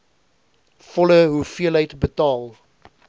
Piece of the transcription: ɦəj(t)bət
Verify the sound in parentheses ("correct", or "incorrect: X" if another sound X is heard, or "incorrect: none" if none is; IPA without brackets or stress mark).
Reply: correct